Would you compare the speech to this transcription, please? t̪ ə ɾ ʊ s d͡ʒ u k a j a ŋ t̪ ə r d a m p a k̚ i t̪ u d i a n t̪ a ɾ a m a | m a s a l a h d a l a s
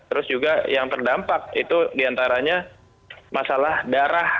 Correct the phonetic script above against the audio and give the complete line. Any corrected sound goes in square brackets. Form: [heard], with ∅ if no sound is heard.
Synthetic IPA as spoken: t̪ ə ɾ ʊ s d͡ʒ u [ɡ] a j a ŋ t̪ ə r d a m p a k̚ i t̪ u d i a n t̪ a ɾ a [ɲ] a | m a s a l a h d a [ɾ] a [h]